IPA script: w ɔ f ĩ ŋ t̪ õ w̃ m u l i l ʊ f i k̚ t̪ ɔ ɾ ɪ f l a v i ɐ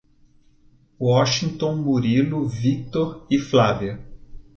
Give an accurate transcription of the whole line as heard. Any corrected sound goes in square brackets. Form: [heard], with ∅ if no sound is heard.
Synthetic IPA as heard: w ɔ [ʃ] ĩ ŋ t̪ õ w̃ m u [ɾ] i l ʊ [v] i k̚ t̪ [o] ɾ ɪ f l a v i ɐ

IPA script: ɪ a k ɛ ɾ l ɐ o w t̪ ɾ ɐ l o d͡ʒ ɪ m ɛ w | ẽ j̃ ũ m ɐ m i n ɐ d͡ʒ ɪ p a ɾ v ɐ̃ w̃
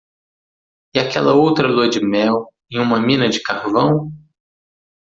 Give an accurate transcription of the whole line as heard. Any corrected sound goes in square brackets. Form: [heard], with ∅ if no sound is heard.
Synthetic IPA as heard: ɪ a k ɛ [∅] l ɐ o w t̪ ɾ ɐ l o d͡ʒ ɪ m ɛ w | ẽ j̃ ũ m ɐ m [ĩ] n ɐ d͡ʒ ɪ [k] a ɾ v ɐ̃ w̃

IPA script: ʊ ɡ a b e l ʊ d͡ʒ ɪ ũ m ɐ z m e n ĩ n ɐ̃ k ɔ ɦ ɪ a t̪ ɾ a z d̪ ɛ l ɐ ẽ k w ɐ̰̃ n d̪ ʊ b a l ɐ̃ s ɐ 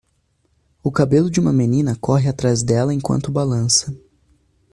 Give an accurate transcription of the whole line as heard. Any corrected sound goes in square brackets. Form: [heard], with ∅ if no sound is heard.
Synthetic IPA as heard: ʊ [k] a b e l ʊ d͡ʒ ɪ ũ m ɐ [∅] m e n ĩ n [ɐ] k ɔ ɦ ɪ a t̪ ɾ a z d̪ ɛ l ɐ ẽ k w ɐ̰̃ n [t̪] ʊ b a l ɐ̃ s ɐ

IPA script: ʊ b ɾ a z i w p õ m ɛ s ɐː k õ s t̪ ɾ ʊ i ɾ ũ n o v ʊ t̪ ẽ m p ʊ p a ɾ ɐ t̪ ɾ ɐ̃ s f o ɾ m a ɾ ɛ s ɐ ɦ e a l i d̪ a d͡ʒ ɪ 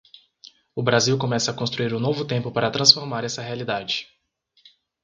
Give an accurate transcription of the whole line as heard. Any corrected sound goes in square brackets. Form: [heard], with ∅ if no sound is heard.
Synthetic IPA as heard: ʊ b ɾ a z i w [k] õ m ɛ s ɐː k õ s t̪ ɾ [u] i ɾ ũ n o v ʊ t̪ ẽ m p ʊ p a ɾ ɐ t̪ ɾ ɐ̃ s f o ɾ m a ɾ ɛ s ɐ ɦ e a l i d̪ a d͡ʒ ɪ

